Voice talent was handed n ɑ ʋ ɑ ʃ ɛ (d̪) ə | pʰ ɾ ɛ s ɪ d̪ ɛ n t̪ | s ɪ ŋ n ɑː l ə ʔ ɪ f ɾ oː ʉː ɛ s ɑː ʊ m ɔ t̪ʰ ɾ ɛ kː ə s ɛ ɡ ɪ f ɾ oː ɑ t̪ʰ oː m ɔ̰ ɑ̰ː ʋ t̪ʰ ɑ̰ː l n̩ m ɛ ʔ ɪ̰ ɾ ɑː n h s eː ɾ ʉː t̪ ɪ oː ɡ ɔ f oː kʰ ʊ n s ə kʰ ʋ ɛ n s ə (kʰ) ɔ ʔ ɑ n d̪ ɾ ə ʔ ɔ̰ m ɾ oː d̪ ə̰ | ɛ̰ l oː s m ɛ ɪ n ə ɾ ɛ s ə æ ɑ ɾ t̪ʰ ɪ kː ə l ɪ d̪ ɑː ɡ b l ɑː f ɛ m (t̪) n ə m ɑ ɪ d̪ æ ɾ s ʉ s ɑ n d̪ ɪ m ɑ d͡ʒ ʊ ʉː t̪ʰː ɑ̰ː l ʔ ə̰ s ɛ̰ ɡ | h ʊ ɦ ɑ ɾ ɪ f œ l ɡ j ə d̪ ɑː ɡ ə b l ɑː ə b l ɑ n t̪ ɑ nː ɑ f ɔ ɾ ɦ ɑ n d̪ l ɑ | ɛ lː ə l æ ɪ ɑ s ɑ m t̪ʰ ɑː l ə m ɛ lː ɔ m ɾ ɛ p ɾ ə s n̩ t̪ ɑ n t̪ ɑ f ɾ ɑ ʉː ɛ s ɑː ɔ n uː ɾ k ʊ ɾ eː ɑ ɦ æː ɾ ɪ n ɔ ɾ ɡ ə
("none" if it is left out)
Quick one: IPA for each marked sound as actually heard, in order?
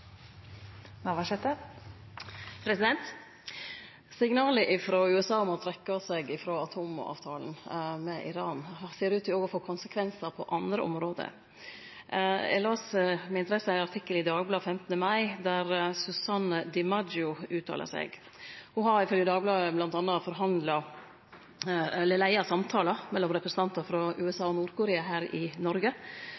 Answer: t̪, pʰ, t̪

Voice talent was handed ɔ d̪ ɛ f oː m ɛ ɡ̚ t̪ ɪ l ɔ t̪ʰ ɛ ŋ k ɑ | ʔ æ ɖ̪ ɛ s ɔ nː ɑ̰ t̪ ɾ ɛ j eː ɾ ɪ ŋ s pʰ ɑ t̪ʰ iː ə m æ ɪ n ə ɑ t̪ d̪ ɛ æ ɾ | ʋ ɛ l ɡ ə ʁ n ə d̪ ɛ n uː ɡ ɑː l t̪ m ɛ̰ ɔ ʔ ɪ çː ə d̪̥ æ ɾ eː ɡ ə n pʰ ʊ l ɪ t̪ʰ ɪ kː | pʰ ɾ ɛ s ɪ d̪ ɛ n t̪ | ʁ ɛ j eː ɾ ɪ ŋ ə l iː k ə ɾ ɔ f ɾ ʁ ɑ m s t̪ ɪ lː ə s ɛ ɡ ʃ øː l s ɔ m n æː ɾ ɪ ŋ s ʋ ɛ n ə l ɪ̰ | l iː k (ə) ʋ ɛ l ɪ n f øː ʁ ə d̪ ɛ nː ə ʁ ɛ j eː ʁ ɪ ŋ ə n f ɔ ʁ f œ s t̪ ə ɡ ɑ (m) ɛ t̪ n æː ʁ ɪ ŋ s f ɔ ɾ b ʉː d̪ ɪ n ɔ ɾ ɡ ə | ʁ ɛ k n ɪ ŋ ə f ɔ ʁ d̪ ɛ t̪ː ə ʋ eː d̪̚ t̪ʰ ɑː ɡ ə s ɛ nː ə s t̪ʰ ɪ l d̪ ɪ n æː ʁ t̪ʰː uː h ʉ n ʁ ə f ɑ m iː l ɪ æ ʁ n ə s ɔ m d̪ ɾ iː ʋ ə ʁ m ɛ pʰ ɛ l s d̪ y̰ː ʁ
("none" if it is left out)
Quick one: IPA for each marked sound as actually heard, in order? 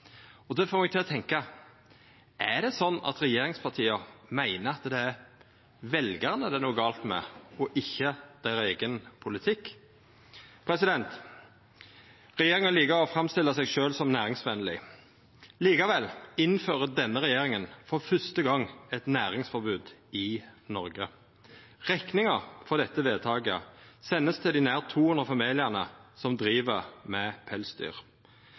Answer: ɑ, ŋ

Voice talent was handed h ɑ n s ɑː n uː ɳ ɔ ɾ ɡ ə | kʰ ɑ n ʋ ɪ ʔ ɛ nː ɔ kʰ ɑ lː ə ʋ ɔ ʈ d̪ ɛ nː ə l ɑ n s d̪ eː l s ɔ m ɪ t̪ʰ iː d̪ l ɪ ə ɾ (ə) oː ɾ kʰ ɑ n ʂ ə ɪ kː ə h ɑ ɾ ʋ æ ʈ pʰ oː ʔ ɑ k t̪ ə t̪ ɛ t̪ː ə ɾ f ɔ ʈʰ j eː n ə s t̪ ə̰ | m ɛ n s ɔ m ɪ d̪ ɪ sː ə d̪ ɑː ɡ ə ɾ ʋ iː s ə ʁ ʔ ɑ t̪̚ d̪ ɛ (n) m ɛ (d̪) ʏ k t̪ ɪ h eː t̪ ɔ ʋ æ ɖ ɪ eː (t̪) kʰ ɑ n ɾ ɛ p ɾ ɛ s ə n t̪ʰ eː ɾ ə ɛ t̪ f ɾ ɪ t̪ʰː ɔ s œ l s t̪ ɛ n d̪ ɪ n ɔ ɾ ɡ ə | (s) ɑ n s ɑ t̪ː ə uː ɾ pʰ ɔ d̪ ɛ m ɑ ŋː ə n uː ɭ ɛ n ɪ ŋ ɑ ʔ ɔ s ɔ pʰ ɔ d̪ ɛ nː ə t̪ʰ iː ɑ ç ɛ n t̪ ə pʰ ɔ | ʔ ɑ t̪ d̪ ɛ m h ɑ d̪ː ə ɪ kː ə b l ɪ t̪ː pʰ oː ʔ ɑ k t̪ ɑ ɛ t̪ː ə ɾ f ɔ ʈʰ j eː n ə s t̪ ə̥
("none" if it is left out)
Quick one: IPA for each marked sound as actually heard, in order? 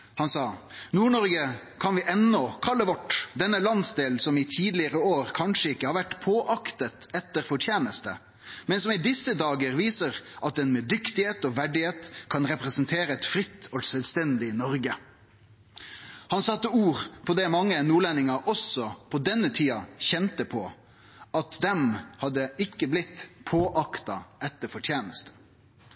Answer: ə, n, d̪, t̪, h

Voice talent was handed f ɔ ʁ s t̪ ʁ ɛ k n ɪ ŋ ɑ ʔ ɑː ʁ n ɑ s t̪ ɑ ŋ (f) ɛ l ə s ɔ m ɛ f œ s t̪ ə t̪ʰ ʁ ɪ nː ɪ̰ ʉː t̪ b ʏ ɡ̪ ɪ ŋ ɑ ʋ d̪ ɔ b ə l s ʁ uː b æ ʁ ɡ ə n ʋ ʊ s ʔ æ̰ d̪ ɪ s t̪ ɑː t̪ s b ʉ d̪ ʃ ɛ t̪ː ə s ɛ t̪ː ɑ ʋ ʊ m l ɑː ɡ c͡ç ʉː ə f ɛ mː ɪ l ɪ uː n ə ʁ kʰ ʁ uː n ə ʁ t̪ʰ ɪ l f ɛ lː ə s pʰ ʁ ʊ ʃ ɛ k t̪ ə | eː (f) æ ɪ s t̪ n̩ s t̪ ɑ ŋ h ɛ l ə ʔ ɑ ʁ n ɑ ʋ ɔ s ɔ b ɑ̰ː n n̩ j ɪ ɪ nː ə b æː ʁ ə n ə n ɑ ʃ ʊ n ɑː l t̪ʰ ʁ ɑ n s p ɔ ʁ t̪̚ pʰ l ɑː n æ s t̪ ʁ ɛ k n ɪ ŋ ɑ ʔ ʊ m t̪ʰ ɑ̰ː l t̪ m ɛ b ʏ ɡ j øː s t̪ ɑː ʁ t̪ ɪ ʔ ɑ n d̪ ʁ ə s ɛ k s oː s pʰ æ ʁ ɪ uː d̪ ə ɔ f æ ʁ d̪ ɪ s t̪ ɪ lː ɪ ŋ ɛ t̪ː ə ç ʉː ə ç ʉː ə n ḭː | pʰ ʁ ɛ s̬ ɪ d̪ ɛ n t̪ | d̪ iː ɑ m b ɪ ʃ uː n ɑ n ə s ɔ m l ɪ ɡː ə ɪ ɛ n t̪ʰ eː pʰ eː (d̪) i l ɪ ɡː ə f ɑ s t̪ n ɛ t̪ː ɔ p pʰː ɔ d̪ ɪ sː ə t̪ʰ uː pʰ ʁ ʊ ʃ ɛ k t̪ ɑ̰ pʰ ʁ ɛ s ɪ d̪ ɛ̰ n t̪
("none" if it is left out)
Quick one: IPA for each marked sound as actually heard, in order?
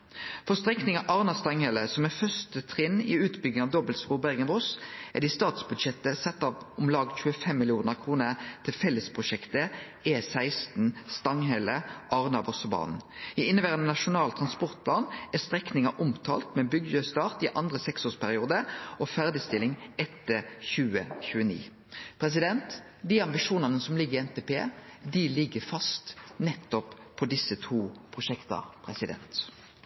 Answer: h, s, d̪

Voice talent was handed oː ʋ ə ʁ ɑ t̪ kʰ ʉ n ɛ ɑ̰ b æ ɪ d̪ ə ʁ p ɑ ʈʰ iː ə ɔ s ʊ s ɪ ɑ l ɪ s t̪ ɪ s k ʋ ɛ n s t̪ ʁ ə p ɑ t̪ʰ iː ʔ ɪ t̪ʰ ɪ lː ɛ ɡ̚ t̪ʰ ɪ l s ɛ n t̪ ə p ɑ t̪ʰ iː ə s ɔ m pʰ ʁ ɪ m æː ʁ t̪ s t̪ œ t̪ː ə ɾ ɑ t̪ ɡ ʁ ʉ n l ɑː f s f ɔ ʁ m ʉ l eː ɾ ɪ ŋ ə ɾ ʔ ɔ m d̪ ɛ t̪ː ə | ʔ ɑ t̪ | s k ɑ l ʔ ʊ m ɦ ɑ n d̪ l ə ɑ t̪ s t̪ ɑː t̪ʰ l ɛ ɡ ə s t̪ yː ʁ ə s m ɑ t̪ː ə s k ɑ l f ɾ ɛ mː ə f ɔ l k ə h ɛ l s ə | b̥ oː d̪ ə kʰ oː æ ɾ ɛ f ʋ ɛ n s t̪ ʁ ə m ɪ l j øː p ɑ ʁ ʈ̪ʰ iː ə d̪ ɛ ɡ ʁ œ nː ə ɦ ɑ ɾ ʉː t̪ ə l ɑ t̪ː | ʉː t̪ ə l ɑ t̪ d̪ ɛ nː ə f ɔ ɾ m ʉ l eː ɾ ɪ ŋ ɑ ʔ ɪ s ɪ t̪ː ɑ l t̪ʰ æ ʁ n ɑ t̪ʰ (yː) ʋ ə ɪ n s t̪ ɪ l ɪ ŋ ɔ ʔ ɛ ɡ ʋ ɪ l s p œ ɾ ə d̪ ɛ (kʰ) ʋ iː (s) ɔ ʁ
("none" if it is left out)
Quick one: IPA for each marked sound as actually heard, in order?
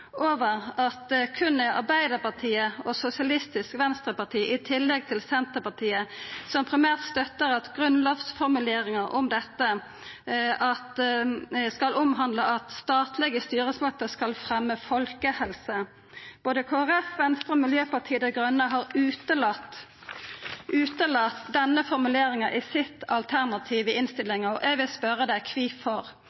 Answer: iː, kʰ, f

